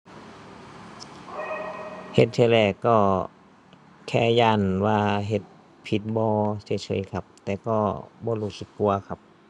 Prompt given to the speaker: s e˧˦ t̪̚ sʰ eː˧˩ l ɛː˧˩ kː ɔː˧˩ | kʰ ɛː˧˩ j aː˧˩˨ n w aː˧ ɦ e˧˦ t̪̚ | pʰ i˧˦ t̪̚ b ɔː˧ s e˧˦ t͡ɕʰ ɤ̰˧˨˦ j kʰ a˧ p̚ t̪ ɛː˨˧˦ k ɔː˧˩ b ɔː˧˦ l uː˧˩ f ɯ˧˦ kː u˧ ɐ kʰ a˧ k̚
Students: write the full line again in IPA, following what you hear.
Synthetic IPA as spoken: h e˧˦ t̪̚ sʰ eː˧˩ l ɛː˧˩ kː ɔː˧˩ | kʰ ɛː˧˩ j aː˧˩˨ n w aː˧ ɦ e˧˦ t̪̚ | pʰ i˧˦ t̪̚ b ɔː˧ s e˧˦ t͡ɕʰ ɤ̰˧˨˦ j kʰ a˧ p̚ t̪ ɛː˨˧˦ k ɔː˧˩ b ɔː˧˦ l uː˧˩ s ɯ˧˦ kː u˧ ɐ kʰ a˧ p̚